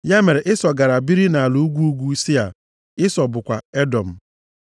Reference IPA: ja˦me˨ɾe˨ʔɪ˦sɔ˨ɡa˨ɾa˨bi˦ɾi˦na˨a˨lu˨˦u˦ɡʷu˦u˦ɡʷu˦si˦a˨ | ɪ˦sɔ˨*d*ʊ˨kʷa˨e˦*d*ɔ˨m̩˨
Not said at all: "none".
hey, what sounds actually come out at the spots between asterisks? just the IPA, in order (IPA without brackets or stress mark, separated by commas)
b, d